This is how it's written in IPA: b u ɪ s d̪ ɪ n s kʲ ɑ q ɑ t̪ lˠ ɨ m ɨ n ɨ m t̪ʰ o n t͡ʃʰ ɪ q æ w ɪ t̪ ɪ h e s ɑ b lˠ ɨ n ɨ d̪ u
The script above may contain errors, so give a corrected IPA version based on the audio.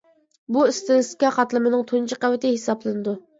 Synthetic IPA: b u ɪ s t̪ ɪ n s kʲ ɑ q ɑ t̪ lˠ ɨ m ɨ n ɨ ŋ t̪ʰ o n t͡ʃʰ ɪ q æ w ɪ t̪ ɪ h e s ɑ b lˠ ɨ n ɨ d̪ u